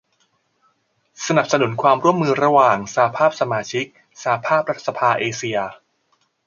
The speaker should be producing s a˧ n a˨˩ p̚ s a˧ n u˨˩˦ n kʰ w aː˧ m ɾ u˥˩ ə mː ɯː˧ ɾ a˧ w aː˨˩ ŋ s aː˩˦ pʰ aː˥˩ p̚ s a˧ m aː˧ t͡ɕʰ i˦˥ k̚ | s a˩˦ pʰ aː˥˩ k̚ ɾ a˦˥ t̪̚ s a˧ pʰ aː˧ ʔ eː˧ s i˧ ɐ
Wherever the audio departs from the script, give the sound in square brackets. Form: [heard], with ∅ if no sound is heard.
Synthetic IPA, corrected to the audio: s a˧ n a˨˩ p̚ s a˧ n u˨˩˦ n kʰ w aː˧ m ɾ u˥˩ ə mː ɯː˧ ɾ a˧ w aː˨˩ ŋ s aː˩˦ pʰ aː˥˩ p̚ s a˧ m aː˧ t͡ɕʰ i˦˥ k̚ | s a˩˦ pʰ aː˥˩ [p̚] ɾ a˦˥ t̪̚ s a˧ pʰ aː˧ ʔ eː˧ s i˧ ɐ